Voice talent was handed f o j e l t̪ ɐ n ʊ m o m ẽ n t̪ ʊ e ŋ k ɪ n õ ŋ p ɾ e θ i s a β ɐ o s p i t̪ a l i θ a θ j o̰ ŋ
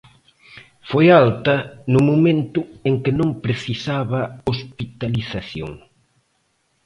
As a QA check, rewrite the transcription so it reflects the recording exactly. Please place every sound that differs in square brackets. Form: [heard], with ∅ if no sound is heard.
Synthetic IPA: f o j [a] l t̪ ɐ n ʊ m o m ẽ n t̪ ʊ e ŋ k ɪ n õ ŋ p ɾ e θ i s a β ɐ o s p i t̪ a l i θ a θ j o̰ ŋ